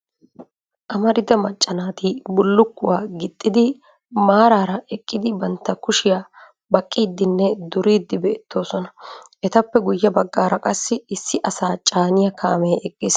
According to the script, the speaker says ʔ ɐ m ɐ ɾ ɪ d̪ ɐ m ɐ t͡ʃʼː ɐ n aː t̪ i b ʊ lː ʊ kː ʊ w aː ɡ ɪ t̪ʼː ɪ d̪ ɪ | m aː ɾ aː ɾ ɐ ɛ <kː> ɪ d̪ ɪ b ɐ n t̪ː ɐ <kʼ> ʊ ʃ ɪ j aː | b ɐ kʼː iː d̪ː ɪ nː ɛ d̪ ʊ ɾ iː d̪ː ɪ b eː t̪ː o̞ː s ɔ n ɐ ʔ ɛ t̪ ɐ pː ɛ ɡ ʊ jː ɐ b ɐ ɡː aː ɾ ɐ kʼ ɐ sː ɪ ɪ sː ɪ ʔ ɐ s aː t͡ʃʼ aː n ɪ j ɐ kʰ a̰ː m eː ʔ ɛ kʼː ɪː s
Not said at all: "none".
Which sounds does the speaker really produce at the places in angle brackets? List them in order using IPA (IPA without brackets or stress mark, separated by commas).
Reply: kʼː, k